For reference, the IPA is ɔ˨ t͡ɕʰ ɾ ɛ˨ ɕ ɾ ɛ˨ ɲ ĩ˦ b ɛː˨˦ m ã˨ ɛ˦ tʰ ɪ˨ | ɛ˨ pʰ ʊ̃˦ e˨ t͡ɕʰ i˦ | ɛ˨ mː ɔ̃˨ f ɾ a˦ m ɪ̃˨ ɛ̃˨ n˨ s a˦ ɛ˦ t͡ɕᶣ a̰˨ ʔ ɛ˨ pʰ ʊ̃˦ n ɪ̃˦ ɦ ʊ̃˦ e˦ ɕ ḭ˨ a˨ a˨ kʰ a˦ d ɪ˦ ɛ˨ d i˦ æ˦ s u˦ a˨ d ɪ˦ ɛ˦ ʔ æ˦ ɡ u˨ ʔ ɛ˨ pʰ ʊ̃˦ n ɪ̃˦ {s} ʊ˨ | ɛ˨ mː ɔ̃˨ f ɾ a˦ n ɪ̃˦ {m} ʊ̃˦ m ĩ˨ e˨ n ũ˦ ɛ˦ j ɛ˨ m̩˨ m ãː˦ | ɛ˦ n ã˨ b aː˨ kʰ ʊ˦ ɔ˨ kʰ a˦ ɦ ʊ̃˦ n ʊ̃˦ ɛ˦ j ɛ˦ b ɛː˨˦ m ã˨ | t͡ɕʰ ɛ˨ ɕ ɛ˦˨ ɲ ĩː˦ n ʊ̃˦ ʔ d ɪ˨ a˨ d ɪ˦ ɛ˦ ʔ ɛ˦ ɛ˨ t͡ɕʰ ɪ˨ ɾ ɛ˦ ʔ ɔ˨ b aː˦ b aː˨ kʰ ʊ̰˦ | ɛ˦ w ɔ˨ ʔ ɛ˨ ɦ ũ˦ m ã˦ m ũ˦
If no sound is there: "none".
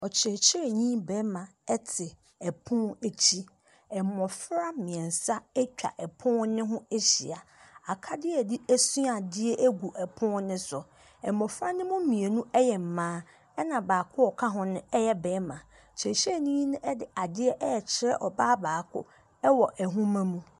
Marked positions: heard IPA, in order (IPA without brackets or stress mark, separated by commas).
s, m